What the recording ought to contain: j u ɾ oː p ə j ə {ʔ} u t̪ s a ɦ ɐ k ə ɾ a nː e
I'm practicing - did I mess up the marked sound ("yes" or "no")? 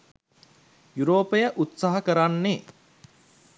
no